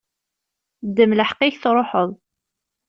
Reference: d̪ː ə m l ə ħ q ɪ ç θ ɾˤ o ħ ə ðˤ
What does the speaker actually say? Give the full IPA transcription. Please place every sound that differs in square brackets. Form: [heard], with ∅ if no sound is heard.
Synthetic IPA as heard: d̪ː ə m l ə ħ q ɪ ç θ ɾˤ o ħ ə ðˤ